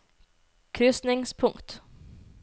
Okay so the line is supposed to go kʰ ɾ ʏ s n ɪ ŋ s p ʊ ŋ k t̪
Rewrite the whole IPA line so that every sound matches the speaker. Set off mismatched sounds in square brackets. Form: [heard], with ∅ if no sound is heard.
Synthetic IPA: kʰ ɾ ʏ s n ɪ ŋ s [pʰ] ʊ ŋ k t̪